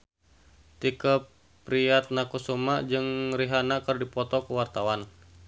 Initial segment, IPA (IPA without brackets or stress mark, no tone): t̪